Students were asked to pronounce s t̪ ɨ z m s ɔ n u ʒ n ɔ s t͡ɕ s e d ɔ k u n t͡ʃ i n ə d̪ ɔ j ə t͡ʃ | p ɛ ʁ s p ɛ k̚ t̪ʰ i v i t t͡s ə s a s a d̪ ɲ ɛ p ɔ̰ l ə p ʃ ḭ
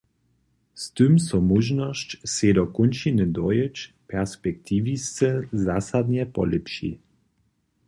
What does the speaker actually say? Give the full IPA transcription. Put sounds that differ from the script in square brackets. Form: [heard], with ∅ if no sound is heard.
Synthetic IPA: s t̪ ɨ [∅] m s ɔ [m] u ʒ n ɔ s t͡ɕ s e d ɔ k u n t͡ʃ i n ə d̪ ɔ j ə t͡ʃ | p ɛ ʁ s p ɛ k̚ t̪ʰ i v i [s] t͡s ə [z] a s a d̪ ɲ ɛ p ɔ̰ l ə p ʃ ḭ

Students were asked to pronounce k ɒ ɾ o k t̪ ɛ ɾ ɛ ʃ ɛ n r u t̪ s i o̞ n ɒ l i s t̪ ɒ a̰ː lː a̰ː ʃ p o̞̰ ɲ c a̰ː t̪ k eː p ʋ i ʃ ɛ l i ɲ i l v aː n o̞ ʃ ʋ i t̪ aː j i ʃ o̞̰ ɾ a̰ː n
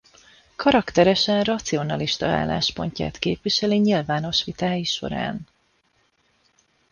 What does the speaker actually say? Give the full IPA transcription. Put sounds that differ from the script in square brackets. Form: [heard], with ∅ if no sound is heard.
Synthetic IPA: k ɒ ɾ [ɒ] k t̪ ɛ ɾ ɛ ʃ ɛ n r [ɒ] t̪ s i o̞ n ɒ l i [ʃ] t̪ ɒ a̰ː lː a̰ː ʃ p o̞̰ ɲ c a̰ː t̪ k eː p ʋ i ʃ ɛ l i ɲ i l v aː n o̞ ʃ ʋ i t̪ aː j i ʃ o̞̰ ɾ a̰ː n

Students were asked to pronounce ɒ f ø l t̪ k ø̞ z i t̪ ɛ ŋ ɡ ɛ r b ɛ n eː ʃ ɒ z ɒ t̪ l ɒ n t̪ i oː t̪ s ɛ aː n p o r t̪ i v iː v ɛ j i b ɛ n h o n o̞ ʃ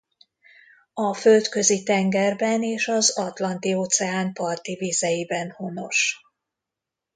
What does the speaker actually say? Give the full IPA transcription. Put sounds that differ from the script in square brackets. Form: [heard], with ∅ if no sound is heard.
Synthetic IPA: ɒ f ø l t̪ k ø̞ z i t̪ ɛ ŋ ɡ ɛ r b ɛ n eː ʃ ɒ z ɒ t̪ l ɒ n t̪ i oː t̪ s ɛ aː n p [ɒ] r t̪ i v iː [z] ɛ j i b ɛ n h o n o̞ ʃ

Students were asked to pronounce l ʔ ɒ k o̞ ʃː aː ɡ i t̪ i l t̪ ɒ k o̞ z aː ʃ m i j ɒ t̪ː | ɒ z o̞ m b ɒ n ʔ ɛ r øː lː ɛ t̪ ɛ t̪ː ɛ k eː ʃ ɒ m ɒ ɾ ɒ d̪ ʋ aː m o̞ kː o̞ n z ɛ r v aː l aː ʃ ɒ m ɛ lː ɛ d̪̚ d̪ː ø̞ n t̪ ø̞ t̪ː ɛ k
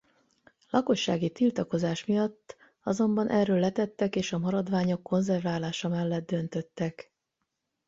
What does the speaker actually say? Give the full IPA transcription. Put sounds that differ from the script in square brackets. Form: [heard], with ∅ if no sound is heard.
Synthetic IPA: l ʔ ɒ k o̞ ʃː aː ɡ i t̪ i l t̪ ɒ k o̞ z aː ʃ m i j ɒ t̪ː | ɒ z o̞ m b ɒ n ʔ ɛ r øː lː ɛ t̪ ɛ t̪ː ɛ k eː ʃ ɒ m ɒ ɾ ɒ d̪ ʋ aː [ɲ] o̞ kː o̞ n z ɛ r v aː l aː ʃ ɒ m ɛ lː ɛ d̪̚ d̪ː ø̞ n t̪ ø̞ t̪ː ɛ k

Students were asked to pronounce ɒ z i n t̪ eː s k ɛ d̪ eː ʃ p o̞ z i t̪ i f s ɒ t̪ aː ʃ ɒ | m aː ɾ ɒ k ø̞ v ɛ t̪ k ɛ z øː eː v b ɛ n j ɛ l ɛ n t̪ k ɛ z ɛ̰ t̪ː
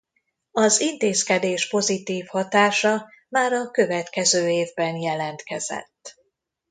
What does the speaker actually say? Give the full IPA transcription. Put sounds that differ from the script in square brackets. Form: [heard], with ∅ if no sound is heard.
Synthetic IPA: ɒ z i n t̪ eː s k ɛ d̪ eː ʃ p o̞ z i t̪ [iː] f [h] ɒ t̪ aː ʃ ɒ | m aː ɾ ɒ k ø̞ v ɛ t̪ k ɛ z øː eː v b ɛ n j ɛ l ɛ n t̪ k ɛ z ɛ̰ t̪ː

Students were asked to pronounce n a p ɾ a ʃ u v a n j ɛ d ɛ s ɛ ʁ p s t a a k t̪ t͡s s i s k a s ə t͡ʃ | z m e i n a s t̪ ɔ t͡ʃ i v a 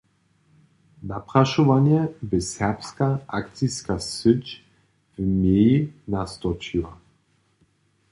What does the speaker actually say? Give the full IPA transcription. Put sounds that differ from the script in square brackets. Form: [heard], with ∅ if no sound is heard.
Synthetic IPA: n a p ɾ a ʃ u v a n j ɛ [b] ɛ s ɛ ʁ p s [k] a a k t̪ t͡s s i s k a s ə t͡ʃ | [v] m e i n a s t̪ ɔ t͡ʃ i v a

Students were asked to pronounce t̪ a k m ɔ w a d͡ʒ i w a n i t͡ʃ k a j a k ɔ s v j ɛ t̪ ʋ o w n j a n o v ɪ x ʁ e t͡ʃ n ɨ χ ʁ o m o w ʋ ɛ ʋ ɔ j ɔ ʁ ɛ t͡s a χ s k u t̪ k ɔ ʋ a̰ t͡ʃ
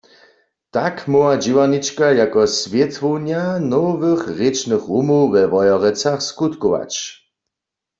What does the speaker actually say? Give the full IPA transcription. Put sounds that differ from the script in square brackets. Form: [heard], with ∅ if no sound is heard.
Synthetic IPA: t̪ a k m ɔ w a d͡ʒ i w a n i t͡ʃ k a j a k ɔ s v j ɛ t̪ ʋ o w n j a n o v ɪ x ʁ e t͡ʃ n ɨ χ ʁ [u] m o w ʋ ɛ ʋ ɔ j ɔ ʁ ɛ t͡s a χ s k u t̪ k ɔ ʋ a̰ t͡ʃ

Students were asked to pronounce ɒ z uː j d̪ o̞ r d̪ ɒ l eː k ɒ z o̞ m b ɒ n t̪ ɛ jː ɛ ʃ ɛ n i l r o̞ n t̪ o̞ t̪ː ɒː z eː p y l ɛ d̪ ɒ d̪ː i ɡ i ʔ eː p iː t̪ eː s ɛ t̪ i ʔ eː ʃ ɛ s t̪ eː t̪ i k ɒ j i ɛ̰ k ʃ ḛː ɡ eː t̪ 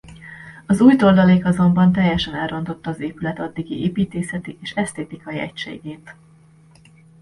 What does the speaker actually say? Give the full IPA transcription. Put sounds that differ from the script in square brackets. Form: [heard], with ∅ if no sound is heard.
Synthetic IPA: ɒ z uː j [t̪] o̞ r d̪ ɒ l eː k ɒ z o̞ m b ɒ n t̪ ɛ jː ɛ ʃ ɛ n [ɛ] l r o̞ n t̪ o̞ t̪ː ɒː z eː p y l ɛ [t̪] ɒ d̪ː i ɡ i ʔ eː p iː t̪ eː s ɛ t̪ i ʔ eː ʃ ɛ s t̪ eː t̪ i k ɒ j i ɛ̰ [c] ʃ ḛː ɡ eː t̪

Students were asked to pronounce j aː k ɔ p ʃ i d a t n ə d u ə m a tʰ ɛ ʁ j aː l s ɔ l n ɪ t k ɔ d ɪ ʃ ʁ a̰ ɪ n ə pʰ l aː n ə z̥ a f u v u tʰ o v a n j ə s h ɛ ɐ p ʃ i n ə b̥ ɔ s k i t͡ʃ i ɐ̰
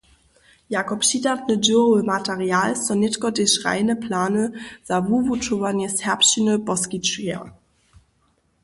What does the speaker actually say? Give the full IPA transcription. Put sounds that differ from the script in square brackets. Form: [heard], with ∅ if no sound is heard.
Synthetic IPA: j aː k ɔ p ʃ i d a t n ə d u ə m a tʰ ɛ ʁ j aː l s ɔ [∅] n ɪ t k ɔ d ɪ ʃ ʁ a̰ ɪ n ə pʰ l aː n ə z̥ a [v] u v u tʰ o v a n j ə s h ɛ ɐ p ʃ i n ə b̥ ɔ s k i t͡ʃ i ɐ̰

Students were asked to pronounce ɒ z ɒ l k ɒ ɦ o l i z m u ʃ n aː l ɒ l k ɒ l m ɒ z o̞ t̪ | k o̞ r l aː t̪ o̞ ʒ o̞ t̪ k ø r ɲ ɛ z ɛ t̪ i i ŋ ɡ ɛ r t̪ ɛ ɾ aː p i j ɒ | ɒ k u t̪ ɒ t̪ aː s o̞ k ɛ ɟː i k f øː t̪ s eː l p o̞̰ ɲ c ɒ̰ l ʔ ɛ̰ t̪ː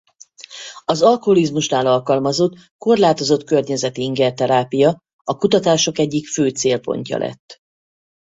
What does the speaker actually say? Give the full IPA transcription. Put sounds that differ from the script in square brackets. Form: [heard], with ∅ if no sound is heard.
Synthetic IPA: ɒ z ɒ l k [o] ɦ o l i z m u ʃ n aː l ɒ l k ɒ l m ɒ z o̞ t̪ | k o̞ r l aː t̪ o̞ [z] o̞ t̪ k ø r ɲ ɛ z ɛ t̪ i i ŋ ɡ ɛ r t̪ ɛ ɾ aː p i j ɒ | ɒ k u t̪ ɒ t̪ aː [ʃ] o̞ k ɛ ɟː i k f øː t̪ s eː l p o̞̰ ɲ c ɒ̰ l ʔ ɛ̰ t̪ː

